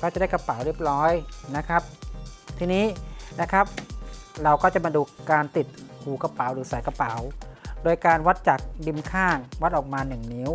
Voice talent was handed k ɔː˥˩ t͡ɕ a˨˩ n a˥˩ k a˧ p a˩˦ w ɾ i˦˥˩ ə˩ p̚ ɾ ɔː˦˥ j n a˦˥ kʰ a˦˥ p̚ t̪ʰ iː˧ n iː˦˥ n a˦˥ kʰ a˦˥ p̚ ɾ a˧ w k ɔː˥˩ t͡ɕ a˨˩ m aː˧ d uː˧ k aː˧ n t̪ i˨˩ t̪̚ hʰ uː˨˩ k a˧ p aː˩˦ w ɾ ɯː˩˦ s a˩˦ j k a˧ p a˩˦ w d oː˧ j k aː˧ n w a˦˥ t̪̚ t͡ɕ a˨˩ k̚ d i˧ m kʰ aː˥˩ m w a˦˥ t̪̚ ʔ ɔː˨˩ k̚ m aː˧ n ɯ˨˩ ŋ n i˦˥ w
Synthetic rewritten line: k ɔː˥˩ t͡ɕ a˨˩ d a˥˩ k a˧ p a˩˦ w ɾ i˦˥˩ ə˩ p̚ ɾ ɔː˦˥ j n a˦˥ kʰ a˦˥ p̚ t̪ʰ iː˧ n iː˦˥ n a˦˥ kʰ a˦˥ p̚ ɾ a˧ w k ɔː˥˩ t͡ɕ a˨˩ m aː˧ d uː˧ k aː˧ n t̪ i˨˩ t̪̚ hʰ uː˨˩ k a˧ p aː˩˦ w ɾ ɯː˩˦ s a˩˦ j k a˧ p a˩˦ w d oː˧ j k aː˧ n w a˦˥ t̪̚ t͡ɕ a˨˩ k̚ d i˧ m kʰ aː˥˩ ŋ w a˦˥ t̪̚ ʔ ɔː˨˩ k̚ m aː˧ n ɯ˨˩ ŋ n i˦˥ w

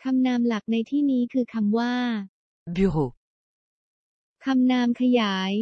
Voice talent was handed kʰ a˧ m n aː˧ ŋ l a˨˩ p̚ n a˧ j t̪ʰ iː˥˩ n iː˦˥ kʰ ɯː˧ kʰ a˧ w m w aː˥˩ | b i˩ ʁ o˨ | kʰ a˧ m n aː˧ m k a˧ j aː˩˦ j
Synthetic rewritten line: kʰ a˧ m n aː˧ m l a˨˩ k̚ n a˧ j t̪ʰ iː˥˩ n iː˦˥ kʰ ɯː˧ kʰ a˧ m w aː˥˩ | b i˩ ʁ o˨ | kʰ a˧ m n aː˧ m kʰ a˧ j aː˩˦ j

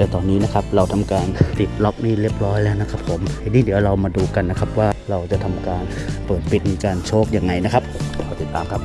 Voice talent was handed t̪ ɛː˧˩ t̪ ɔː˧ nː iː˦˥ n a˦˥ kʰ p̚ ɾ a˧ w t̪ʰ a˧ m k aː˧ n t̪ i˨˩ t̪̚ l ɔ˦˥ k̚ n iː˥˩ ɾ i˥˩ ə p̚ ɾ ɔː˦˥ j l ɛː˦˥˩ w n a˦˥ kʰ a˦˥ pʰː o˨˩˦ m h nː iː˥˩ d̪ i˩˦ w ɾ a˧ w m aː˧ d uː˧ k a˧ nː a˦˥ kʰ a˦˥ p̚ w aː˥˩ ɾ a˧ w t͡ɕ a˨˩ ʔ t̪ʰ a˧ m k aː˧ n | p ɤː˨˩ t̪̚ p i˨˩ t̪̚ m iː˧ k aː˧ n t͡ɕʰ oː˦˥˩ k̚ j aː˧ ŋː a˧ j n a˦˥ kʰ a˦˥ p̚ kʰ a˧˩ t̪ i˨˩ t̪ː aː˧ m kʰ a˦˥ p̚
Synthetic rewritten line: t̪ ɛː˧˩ t̪ ɔː˧ nː iː˦˥ n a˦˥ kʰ p̚ ɾ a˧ w t̪ʰ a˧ m k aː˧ n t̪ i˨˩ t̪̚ l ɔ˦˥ k̚ n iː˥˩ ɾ i˥˩ ə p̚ ɾ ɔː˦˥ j l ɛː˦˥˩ w n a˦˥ kʰ a˦˥ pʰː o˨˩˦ m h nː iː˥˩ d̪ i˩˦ w ɾ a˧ w m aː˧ d uː˧ k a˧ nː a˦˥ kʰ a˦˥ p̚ w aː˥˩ ɾ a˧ w t͡ɕ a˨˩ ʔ t̪ʰ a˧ m k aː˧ n | p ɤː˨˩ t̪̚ p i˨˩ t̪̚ m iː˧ k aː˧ n t͡ɕʰ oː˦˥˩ k̚ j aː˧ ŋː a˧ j n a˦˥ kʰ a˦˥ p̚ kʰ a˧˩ t̪ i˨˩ t̪ː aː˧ m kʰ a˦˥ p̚

